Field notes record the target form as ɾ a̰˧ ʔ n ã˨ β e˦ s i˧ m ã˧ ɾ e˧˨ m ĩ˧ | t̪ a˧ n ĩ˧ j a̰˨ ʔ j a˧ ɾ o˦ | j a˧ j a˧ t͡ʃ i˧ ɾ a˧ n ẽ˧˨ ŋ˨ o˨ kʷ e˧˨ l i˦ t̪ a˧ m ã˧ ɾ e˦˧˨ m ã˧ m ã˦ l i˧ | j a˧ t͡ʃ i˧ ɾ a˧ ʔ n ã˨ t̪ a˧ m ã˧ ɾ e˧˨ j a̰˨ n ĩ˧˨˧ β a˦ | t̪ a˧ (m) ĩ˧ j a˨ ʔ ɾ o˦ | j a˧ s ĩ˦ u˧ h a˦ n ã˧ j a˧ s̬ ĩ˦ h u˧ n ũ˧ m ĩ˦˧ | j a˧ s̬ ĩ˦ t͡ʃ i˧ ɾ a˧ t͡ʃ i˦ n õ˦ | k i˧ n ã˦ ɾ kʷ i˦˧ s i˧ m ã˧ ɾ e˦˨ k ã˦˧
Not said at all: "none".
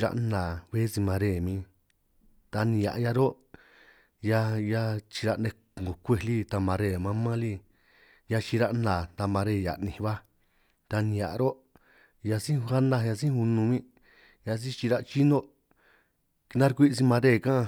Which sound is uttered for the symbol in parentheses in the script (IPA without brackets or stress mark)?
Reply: n